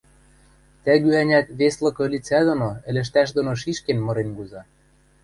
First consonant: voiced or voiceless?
voiceless